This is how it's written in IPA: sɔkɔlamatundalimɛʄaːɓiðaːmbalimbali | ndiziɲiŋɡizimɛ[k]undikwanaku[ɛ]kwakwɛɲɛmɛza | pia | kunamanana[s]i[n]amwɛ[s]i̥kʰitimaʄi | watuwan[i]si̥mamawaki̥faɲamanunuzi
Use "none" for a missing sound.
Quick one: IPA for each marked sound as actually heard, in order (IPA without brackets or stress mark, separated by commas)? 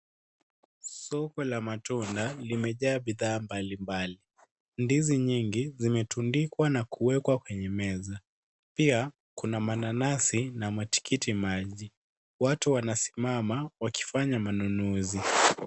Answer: t, ɛ, s, n, t, a